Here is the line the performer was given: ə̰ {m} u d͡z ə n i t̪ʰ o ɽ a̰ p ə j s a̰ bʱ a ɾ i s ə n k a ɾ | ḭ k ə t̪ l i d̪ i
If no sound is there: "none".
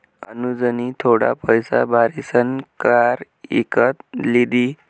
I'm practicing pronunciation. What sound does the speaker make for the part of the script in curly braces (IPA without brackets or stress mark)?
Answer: n